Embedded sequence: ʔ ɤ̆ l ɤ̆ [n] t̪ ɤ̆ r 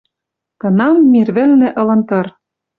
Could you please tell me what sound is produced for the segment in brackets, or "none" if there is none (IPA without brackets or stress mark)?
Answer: n